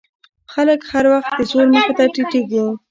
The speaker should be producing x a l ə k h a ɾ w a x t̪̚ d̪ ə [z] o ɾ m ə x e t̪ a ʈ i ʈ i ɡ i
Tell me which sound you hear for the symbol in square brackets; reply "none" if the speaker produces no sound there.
z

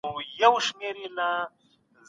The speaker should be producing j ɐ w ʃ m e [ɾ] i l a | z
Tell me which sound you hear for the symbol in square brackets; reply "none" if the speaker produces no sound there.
ɾ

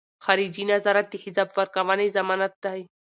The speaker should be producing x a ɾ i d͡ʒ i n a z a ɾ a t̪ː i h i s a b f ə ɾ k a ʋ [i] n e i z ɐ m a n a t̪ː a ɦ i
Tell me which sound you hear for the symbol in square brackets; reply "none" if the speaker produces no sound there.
a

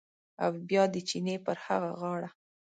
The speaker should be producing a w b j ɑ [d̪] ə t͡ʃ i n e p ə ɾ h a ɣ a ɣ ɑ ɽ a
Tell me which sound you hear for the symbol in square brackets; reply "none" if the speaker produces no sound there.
d̪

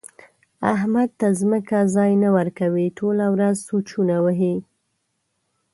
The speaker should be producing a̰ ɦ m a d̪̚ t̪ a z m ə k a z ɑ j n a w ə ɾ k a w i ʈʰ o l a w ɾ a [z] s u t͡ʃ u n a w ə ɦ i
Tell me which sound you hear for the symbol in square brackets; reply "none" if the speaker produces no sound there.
z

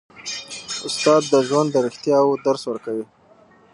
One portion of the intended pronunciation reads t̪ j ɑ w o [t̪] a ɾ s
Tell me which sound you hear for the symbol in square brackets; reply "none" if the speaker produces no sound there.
d̪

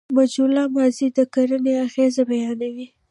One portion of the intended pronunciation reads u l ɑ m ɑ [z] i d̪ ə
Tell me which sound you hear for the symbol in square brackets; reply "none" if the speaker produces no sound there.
z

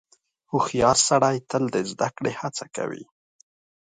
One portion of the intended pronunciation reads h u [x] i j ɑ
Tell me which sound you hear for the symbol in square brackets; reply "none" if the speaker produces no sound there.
x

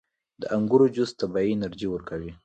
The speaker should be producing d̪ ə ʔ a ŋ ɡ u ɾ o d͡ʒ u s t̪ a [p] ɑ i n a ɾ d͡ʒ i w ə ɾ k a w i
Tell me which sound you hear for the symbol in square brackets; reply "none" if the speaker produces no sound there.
b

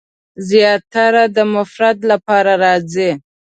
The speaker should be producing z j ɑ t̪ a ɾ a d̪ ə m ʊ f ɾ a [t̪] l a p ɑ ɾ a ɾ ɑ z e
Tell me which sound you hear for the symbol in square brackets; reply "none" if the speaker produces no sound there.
d̪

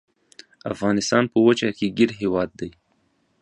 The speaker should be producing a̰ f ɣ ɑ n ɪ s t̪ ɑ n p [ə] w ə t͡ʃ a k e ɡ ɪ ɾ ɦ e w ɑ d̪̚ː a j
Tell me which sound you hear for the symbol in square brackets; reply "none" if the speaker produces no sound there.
ə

